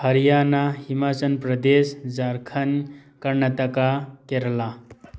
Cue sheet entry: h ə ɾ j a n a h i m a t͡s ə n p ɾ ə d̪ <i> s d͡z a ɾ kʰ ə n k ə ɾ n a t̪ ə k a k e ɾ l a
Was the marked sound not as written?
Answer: yes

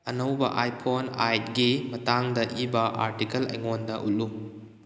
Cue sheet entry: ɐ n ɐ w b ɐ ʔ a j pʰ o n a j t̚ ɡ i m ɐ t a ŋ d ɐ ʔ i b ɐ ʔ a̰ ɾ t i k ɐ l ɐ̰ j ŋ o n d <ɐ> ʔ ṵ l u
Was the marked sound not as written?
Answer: no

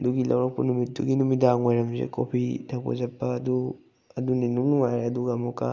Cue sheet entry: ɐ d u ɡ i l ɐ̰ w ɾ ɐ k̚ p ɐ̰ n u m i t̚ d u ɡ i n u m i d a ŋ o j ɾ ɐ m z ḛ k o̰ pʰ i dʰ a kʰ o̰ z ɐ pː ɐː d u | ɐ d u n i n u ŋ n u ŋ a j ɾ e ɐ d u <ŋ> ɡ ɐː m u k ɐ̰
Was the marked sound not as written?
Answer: yes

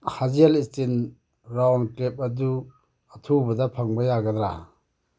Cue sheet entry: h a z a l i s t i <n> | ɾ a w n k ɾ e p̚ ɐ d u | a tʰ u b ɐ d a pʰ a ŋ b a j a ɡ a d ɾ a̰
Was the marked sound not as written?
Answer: no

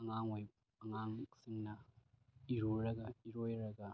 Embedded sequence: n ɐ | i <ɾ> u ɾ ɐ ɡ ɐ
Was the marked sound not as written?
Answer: no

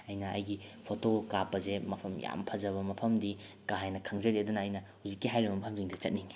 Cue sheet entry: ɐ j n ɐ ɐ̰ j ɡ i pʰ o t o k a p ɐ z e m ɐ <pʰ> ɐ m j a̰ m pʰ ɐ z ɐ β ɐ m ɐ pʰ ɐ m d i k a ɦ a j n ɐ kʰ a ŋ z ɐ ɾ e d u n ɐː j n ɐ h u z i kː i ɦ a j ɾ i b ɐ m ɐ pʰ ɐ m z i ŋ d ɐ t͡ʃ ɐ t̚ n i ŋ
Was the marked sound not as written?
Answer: no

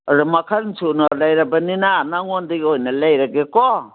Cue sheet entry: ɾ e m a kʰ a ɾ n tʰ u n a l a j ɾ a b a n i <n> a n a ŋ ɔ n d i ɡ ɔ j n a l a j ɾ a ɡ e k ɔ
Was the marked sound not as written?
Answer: no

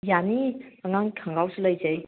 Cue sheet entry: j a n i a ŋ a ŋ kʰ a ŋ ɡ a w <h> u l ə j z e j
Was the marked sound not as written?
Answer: yes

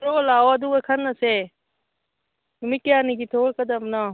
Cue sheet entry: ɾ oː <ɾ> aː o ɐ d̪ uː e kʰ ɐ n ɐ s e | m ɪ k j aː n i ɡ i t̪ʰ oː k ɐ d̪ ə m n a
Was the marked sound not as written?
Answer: yes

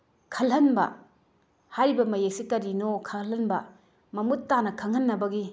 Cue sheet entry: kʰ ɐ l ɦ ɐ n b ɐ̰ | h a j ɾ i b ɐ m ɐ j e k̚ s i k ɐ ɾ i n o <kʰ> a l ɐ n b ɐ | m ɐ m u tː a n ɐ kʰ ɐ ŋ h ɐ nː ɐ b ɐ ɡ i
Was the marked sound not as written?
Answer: no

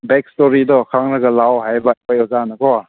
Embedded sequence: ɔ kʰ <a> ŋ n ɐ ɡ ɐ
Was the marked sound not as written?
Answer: no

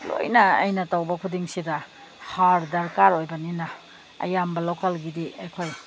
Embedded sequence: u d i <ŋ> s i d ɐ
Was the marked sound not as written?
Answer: no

